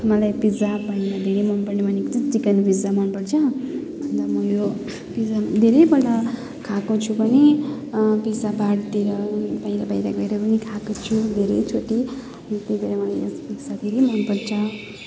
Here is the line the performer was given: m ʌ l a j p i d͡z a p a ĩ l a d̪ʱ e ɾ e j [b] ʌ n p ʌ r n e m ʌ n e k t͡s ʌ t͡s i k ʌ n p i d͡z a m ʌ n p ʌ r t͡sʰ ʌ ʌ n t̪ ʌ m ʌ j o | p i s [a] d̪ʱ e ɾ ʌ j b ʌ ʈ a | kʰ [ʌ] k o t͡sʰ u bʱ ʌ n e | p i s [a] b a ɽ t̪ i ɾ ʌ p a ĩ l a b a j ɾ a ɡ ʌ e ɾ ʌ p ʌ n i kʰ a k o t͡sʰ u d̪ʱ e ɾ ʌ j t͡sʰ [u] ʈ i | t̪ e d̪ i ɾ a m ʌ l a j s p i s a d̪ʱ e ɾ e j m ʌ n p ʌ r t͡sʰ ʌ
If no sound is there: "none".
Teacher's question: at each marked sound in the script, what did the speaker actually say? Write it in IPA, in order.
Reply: m, a, a, a, o

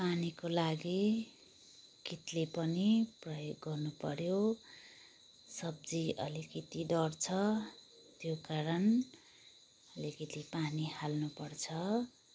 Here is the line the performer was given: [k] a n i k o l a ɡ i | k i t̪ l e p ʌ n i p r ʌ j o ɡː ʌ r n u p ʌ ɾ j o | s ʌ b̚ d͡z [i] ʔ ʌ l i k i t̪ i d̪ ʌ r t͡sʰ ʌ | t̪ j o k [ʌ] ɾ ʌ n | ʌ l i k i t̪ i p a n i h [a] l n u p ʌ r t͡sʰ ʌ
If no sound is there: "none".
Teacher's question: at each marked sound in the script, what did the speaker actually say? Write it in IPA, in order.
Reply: p, i, a, a

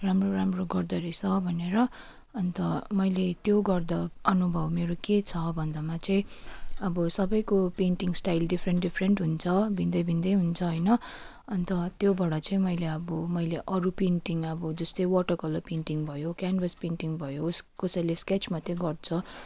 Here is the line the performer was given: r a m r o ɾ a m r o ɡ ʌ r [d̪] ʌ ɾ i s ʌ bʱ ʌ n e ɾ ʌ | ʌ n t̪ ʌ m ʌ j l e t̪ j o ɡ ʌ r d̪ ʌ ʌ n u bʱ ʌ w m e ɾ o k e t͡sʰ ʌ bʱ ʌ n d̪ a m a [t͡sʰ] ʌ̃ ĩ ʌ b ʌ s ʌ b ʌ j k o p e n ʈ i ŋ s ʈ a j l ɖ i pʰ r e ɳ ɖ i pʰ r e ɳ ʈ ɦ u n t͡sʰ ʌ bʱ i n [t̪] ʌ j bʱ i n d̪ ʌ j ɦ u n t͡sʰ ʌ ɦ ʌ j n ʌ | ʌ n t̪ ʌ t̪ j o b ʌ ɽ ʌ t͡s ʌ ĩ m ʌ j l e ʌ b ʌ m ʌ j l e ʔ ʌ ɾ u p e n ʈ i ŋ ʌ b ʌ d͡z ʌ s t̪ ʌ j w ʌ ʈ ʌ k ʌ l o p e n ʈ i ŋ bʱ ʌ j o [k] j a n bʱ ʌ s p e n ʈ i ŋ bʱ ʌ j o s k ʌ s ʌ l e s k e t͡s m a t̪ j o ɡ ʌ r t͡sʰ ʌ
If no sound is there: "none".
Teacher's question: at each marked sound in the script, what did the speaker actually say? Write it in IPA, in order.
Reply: d̪, t͡s, d̪, k

